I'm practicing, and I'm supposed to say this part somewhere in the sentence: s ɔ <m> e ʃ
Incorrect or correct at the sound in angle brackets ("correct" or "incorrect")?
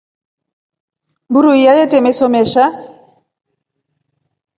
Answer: correct